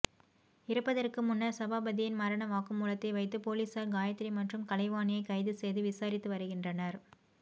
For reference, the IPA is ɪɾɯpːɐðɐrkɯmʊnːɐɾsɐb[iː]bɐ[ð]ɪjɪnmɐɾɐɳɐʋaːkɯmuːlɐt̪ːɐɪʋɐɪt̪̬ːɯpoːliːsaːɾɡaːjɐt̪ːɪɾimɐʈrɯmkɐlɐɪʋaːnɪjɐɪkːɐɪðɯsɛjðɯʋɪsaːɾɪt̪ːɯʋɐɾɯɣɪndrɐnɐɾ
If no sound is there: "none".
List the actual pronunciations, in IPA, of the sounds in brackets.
aː, ð

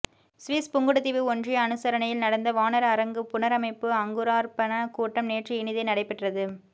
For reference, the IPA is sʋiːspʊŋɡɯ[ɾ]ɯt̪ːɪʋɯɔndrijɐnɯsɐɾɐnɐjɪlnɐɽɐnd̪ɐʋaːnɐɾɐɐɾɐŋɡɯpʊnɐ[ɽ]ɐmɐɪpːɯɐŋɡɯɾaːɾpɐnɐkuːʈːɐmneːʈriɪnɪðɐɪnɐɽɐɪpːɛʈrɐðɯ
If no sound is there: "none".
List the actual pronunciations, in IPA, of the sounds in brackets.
ɽ, ɾ

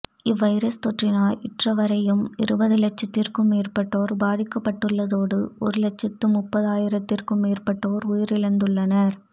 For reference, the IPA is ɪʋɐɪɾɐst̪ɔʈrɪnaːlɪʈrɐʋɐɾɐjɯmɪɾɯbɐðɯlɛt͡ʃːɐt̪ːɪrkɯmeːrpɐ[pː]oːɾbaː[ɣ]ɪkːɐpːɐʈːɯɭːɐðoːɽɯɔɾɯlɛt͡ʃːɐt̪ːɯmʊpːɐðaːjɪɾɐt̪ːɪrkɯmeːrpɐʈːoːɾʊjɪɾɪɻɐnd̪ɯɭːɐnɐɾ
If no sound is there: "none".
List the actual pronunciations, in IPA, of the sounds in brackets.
ʈː, ð

